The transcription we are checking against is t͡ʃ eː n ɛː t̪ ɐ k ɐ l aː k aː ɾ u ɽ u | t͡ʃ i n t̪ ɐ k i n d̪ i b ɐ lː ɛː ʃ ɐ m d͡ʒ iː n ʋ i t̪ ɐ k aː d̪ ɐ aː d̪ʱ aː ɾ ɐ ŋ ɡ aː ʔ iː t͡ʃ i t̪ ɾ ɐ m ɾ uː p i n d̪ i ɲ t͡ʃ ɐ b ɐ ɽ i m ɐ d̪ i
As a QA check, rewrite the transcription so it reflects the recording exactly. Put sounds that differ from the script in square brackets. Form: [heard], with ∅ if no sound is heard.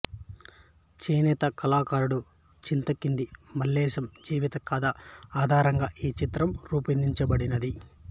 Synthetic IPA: t͡ʃ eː n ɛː t̪ ɐ k ɐ l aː k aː ɾ u ɽ u | t͡ʃ i n t̪ ɐ k i n d̪ i [m] ɐ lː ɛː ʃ ɐ m d͡ʒ iː [∅] ʋ i t̪ ɐ k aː d̪ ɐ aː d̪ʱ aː ɾ ɐ ŋ ɡ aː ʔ iː t͡ʃ i t̪ ɾ ɐ m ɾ uː p i n d̪ i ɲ t͡ʃ ɐ b ɐ ɽ i [n] ɐ d̪ i